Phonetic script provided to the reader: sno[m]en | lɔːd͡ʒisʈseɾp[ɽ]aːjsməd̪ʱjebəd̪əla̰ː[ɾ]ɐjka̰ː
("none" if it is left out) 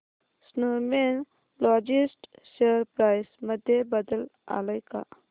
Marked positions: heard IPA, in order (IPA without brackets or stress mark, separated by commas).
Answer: m, ɾ, l